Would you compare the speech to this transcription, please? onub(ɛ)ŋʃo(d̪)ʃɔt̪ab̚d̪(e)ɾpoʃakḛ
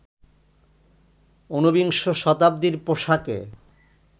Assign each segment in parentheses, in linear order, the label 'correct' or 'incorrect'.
incorrect: i, incorrect: none, incorrect: i

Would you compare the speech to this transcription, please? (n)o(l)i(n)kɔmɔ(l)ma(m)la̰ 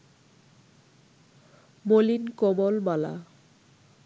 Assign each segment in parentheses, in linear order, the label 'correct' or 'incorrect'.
incorrect: m, correct, correct, correct, incorrect: none

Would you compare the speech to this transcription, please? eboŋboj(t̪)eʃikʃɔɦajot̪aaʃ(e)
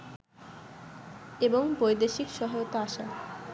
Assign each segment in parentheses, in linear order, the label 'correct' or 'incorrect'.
incorrect: d̪, incorrect: a

